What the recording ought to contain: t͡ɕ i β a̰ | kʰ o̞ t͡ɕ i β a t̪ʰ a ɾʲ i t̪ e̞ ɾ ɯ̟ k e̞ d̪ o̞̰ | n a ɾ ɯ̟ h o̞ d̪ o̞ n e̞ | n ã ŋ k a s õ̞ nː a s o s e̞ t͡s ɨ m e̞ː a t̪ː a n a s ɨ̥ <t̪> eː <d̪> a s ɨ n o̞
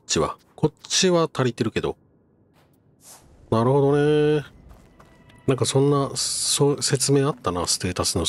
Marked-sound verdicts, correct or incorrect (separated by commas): correct, incorrect